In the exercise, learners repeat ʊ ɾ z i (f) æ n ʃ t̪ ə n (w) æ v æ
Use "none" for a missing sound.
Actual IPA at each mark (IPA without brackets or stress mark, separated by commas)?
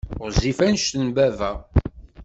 f, b